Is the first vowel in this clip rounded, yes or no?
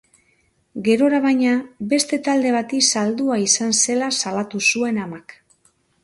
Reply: no